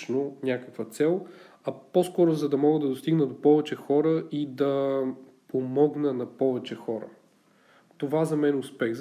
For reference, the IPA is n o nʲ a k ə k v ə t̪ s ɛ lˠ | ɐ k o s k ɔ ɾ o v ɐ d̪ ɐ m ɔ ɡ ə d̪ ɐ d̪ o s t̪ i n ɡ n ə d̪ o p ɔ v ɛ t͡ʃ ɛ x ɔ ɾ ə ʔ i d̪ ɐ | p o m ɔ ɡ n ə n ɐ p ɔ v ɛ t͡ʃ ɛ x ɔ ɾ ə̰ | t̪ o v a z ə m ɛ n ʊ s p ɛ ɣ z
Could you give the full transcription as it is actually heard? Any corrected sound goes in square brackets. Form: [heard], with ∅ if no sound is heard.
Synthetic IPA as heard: n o nʲ a k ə k v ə t̪ s ɛ lˠ | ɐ [p] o s k ɔ ɾ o [z] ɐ d̪ ɐ m ɔ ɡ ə d̪ ɐ d̪ o s t̪ i [∅] ɡ n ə d̪ o p ɔ v ɛ t͡ʃ ɛ x ɔ ɾ ə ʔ i d̪ ɐ | p o m ɔ ɡ n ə n ɐ p ɔ v ɛ t͡ʃ ɛ x ɔ ɾ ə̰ | t̪ o v a z [ɐ] m ɛ n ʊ s p ɛ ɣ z